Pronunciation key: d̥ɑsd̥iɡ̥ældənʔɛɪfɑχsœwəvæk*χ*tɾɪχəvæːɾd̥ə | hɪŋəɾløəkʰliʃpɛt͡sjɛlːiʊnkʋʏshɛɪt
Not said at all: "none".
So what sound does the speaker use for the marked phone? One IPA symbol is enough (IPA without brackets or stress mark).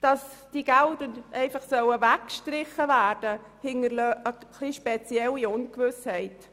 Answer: ʃ